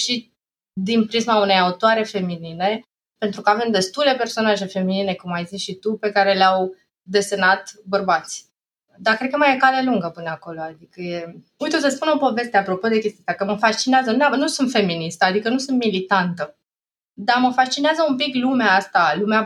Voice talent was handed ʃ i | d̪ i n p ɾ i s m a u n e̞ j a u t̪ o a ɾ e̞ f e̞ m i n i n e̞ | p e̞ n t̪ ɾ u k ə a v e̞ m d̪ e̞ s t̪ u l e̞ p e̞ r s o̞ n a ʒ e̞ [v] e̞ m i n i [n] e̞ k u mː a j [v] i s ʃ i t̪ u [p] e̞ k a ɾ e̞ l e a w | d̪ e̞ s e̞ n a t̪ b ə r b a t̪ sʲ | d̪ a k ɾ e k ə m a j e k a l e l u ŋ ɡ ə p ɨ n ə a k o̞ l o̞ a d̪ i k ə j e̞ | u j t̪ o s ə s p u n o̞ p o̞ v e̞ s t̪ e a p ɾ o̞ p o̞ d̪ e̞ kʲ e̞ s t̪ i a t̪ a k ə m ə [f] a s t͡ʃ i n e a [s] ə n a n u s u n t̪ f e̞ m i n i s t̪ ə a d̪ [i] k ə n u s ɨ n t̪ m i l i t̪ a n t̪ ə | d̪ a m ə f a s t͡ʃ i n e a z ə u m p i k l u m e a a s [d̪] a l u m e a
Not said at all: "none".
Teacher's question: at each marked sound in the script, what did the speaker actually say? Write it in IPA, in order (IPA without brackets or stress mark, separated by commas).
f, n, z, p, f, z, i, t̪